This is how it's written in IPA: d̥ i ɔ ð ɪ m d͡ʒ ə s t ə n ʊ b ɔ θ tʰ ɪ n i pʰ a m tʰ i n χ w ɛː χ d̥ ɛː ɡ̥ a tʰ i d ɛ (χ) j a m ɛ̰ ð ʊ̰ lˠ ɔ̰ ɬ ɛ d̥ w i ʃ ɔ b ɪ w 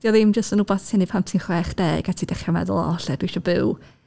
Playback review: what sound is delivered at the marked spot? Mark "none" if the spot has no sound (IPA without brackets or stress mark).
χ